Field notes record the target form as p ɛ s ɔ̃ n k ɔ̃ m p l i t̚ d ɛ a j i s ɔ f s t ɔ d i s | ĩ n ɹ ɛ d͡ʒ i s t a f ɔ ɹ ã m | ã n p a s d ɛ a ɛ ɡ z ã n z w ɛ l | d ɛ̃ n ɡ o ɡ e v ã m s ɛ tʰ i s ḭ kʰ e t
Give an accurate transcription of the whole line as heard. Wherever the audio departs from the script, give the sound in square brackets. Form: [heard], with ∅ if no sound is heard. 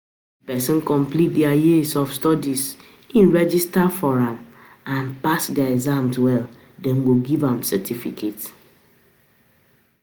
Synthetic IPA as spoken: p ɛ s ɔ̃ n k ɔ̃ m p l i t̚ d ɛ a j i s ɔ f s t ɔ d i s | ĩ n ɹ ɛ d͡ʒ i s t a f ɔ ɹ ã m | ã n p a s d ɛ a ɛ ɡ z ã [m] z w ɛ l | d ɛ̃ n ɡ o ɡ [i] v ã m s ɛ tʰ i [f] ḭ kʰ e t